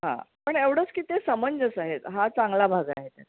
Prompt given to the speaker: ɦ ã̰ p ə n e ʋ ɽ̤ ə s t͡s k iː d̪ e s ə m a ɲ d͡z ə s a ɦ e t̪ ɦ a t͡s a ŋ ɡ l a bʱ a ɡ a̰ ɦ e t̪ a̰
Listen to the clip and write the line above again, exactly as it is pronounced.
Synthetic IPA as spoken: ɦ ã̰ p ə ɳ e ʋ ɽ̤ ə t͡s k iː t̪ e s ə m ə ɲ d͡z ə s a ɦ e t̪ ɦ a t͡s a ŋ ɡ l a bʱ a ɡ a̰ ɦ e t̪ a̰